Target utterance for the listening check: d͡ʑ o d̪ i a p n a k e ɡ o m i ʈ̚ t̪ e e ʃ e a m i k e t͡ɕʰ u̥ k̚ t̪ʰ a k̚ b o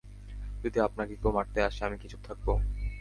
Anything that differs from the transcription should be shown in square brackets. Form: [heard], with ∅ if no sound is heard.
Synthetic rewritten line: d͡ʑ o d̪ i a p n a k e [k] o m [a] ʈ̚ t̪ e [a] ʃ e a m i k [i] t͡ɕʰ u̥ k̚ t̪ʰ a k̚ b o